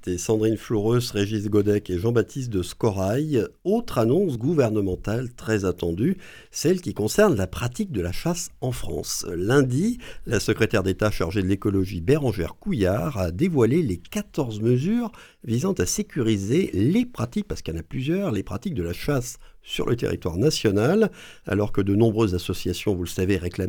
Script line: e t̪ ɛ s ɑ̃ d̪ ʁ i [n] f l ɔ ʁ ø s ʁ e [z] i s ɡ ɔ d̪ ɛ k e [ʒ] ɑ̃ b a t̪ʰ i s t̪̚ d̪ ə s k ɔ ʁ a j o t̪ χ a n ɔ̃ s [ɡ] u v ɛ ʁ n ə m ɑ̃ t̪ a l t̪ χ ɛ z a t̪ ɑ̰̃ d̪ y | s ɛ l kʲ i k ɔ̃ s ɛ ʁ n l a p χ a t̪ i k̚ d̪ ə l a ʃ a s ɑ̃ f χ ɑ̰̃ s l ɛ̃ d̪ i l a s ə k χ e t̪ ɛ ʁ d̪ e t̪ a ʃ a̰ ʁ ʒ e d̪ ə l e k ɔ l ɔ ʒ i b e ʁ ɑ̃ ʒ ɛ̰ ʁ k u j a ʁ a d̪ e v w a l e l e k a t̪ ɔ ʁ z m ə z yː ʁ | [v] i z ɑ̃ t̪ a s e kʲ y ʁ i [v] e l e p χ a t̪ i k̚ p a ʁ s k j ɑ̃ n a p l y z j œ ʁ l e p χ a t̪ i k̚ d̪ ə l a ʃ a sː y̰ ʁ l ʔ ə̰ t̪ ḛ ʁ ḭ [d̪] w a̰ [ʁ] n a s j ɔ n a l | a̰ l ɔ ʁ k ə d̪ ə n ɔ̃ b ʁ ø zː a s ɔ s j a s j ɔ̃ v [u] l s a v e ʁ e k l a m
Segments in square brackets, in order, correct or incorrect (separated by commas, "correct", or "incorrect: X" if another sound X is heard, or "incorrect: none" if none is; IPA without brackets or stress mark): correct, incorrect: ʒ, correct, correct, correct, incorrect: z, incorrect: t̪, correct, correct